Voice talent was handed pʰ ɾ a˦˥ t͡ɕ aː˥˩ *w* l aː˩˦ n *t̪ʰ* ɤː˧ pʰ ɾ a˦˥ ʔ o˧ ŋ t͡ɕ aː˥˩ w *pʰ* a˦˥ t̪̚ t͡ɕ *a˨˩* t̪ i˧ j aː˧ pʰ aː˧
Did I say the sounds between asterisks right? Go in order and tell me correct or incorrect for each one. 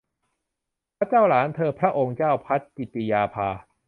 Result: correct, correct, correct, incorrect

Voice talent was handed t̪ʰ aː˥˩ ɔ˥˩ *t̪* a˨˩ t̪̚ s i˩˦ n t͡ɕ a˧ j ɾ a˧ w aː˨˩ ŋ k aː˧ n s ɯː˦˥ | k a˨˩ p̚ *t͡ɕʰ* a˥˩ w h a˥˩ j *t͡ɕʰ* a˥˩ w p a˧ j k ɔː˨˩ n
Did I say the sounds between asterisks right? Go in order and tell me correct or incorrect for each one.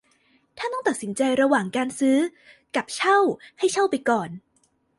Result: correct, correct, correct

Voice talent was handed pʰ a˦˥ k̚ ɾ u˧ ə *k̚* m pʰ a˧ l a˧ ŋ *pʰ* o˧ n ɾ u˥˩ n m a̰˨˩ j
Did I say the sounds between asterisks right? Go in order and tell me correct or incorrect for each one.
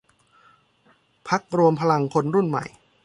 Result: incorrect, incorrect

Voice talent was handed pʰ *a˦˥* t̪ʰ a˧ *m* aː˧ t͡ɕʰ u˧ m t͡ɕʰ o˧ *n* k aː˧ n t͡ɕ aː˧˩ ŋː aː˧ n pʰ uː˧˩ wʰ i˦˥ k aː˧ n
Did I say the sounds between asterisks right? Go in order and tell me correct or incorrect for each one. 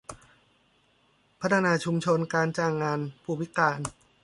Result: correct, incorrect, correct

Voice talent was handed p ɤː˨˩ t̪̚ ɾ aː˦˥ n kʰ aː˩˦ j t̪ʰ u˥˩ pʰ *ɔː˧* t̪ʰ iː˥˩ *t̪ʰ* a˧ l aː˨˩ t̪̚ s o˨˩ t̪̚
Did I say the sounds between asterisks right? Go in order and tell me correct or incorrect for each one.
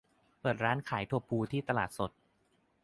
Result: incorrect, incorrect

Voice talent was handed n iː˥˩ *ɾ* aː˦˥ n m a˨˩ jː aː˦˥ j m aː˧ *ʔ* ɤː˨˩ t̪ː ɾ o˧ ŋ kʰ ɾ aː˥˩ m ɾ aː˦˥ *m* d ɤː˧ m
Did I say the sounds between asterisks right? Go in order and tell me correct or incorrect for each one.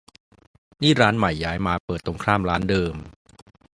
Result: correct, incorrect, incorrect

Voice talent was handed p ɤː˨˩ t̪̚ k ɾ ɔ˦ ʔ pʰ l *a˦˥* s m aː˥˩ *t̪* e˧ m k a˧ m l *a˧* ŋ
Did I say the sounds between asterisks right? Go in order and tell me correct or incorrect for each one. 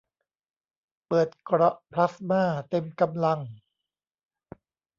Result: correct, correct, correct

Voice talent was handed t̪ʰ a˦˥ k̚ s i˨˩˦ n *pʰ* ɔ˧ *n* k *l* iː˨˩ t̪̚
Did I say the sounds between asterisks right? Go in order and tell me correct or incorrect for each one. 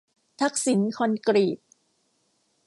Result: incorrect, correct, incorrect

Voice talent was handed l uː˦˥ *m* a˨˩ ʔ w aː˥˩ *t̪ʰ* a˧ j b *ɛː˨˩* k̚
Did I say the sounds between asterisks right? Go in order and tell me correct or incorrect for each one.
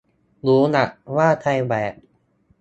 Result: incorrect, correct, correct

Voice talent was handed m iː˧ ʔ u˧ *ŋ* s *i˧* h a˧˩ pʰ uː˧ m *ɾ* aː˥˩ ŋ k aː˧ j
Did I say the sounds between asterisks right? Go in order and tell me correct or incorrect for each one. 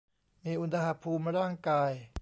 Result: incorrect, incorrect, correct

